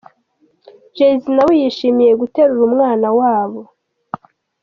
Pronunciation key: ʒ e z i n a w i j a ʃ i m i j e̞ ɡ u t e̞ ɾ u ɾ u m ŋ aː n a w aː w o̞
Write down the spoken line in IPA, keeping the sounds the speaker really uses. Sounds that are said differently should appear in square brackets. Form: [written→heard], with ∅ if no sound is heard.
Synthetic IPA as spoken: ʒ e z i n a w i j [a→i] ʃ i m i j e̞ ɡ u t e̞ ɾ u ɾ u m ŋ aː n a w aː [w→β] o̞